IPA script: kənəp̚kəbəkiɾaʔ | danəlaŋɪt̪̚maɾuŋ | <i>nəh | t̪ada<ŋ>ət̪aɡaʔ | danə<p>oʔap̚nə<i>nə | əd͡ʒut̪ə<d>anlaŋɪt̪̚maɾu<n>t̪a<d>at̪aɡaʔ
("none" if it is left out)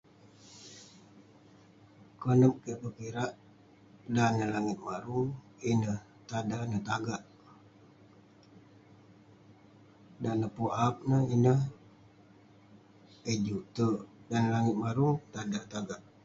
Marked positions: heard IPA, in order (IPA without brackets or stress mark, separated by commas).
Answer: i, n, p, i, d, ŋ, d